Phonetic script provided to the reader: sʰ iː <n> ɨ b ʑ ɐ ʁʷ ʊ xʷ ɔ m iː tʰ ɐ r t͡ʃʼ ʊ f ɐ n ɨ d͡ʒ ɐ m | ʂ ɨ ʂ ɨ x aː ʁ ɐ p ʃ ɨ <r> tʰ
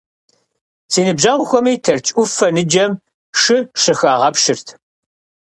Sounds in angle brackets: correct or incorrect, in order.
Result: correct, correct

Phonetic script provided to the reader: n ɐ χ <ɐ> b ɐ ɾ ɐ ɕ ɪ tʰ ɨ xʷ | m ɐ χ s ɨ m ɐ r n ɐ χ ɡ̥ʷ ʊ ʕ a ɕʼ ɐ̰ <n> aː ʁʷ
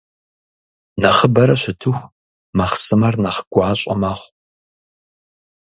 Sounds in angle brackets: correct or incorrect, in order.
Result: incorrect, incorrect

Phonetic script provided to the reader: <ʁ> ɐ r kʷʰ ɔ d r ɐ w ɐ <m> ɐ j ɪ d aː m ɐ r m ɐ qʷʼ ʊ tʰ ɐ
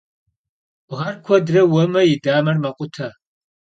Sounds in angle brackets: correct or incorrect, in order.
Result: correct, correct

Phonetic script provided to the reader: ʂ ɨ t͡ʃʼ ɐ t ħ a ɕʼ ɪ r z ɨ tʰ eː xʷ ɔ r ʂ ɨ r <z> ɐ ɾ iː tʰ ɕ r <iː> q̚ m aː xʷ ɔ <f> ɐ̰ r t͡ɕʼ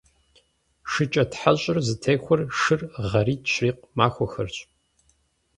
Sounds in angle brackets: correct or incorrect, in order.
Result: incorrect, correct, incorrect

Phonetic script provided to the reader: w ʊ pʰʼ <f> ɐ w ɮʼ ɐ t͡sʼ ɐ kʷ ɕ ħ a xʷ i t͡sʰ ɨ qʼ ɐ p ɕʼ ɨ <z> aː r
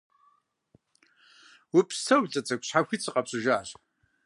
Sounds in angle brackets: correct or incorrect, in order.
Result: incorrect, incorrect

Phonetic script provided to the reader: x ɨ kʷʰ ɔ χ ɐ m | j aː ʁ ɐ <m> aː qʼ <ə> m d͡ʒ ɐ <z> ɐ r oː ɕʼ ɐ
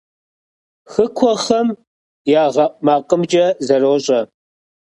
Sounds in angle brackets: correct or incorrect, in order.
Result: correct, correct, correct

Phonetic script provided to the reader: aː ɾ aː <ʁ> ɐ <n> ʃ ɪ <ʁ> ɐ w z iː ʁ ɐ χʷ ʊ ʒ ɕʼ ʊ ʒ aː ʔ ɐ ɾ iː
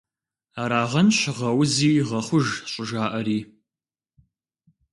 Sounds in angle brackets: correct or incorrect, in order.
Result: correct, correct, correct

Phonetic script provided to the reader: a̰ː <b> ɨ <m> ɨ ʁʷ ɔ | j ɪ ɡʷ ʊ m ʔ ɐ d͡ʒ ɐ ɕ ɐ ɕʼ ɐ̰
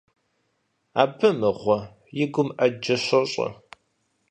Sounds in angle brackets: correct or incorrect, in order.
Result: correct, correct

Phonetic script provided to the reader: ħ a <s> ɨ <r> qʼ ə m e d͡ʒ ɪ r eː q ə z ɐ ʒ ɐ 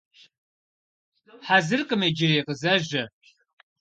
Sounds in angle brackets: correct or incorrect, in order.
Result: incorrect, correct

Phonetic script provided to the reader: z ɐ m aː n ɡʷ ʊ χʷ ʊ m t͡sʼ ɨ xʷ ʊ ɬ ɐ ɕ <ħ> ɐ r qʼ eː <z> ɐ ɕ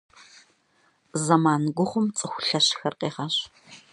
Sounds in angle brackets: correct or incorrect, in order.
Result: incorrect, incorrect

